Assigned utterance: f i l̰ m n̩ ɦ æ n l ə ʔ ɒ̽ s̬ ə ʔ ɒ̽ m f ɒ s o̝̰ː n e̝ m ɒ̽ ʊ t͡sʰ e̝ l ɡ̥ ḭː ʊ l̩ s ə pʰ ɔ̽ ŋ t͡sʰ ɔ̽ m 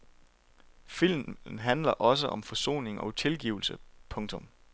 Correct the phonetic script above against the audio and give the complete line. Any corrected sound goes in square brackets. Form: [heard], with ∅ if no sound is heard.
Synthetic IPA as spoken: f i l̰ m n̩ ɦ æ n l [ɐ] ʔ ɒ̽ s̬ ə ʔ ɒ̽ m f ɒ s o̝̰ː n e̝ [ŋ] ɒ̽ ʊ t͡sʰ e̝ l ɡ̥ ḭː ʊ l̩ s ə pʰ ɔ̽ ŋ t͡sʰ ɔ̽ m